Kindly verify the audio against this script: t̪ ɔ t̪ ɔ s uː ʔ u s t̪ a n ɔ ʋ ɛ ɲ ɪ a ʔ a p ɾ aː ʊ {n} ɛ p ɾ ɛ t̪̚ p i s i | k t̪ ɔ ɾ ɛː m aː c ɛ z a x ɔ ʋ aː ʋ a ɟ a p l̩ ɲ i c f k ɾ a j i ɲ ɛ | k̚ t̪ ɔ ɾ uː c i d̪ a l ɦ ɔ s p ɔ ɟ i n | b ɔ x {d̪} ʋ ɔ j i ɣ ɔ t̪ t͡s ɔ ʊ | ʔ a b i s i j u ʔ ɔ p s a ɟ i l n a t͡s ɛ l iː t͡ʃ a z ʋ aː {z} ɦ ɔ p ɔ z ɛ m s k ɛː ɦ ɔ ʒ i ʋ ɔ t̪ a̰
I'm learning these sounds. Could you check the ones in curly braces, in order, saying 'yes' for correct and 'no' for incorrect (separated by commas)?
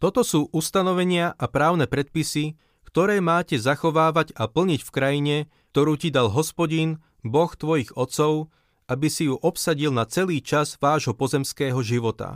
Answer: yes, no, no